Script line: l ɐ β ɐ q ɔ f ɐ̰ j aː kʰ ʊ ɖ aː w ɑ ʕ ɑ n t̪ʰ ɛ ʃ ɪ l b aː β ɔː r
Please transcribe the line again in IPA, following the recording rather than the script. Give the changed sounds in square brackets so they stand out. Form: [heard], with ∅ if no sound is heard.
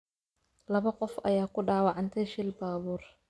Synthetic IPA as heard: l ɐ β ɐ q ɔ f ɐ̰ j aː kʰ ʊ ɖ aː w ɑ ʕ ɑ n t̪ʰ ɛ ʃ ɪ l b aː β [uː] r